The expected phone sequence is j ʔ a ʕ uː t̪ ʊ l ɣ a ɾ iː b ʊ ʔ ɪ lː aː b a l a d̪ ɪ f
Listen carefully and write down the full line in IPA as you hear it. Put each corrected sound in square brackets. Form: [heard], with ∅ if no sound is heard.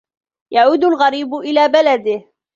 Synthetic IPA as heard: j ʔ a ʕ uː [d̪] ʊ l ɣ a ɾ iː b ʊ ʔ ɪ [l] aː b a l a d̪ ɪ [h]

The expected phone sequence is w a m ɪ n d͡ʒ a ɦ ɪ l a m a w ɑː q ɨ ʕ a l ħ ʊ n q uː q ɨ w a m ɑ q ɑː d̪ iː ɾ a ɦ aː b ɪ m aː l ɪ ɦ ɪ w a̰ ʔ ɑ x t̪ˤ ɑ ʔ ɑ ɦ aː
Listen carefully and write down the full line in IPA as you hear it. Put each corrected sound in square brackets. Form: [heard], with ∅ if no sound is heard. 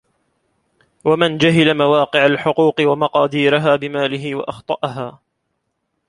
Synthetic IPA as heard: w a m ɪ n d͡ʒ a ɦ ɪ l a m a w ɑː q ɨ ʕ a l ħ ʊ [∅] q uː q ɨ w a m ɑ q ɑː d̪ iː ɾ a ɦ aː b ɪ m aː l ɪ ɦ ɪ w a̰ ʔ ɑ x t̪ˤ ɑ ʔ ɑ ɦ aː

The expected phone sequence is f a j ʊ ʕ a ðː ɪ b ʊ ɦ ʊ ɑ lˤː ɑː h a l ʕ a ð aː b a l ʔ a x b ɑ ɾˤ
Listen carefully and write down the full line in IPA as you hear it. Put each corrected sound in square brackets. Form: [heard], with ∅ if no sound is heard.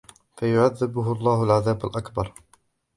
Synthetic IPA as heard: f a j ʊ ʕ a ðː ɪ b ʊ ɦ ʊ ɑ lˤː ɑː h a l ʕ a ð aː b a l ʔ a [k] b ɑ ɾˤ

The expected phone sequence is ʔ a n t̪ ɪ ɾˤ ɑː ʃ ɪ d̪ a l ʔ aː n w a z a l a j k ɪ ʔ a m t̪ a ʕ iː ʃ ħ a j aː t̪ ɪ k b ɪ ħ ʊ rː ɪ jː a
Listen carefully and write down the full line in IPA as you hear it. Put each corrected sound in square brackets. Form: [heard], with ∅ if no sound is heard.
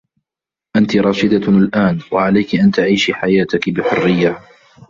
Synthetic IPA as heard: ʔ a n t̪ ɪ ɾˤ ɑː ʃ ɪ d̪ a l ʔ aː n w a [ʕ] a l a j k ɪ ʔ a [n] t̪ a ʕ iː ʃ ħ a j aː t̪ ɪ k b ɪ ħ ʊ rː ɪ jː a

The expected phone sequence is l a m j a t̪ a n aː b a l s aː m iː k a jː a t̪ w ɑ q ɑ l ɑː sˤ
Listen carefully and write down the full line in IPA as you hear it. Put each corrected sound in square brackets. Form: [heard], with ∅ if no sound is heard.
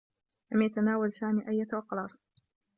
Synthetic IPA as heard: l a m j a t̪ a n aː [w] a l s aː m iː [ʔ] a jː a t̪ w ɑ q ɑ l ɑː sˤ

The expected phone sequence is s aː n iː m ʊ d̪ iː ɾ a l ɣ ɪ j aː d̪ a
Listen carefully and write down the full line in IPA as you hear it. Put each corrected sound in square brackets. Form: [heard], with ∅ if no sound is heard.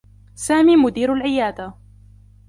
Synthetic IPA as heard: s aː [m] iː m ʊ d̪ iː ɾ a l [ʕ] ɪ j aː d̪ a

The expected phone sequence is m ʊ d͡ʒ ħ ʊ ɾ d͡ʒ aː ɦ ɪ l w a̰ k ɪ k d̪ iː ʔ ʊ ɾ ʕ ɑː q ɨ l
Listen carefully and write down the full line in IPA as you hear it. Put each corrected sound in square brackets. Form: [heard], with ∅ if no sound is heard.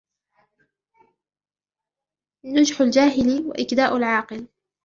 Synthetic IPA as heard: [n] ʊ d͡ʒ ħ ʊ [l] d͡ʒ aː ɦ ɪ l w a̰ [ʔ] ɪ k d̪ [aː] ʔ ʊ [l] ʕ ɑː q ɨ l

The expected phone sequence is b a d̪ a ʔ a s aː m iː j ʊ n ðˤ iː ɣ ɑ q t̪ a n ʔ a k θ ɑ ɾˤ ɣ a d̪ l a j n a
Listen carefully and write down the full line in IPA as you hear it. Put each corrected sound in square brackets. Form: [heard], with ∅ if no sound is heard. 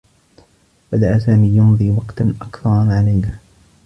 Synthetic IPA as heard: b a d̪ a ʔ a s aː m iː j ʊ n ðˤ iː [w] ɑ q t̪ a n ʔ a k θ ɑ ɾˤ [ʕ] a [∅] l a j n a

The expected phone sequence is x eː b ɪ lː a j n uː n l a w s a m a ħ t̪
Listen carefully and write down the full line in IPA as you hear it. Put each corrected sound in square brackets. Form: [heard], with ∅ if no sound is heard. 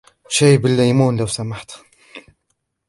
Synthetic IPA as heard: [ʃ] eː b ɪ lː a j [m] uː n l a w s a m a ħ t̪

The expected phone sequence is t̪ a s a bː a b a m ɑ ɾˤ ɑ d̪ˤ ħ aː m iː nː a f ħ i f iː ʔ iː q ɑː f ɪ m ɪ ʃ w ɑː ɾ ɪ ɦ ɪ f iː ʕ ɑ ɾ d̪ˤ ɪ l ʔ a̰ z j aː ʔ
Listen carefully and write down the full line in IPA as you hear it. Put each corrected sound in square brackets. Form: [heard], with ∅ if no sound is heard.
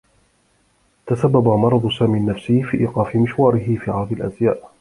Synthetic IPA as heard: t̪ a s a bː a b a m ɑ ɾˤ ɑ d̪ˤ [s] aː m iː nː a f [s] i f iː ʔ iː q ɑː f ɪ m ɪ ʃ w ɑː ɾ ɪ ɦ ɪ f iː ʕ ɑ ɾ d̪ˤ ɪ l ʔ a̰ z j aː ʔ

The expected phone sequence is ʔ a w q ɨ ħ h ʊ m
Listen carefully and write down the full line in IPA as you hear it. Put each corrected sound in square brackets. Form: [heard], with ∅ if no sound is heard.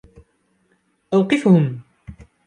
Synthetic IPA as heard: ʔ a w q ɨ [f] h ʊ m

